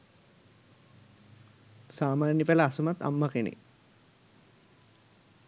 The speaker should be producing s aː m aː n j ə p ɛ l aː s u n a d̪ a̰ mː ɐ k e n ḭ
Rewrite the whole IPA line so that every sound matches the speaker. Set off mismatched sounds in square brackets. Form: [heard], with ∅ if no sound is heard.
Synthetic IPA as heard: s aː m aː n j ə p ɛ l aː s u [m] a [t̪] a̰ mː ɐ k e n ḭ